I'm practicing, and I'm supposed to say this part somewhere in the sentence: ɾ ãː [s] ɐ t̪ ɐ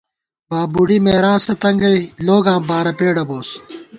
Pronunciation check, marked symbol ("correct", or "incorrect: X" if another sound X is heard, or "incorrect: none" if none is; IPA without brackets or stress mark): correct